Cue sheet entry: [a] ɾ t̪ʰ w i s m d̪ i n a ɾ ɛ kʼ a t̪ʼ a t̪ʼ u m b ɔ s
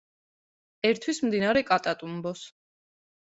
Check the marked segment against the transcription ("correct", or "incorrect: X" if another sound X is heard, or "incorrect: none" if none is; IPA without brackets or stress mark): incorrect: ɛ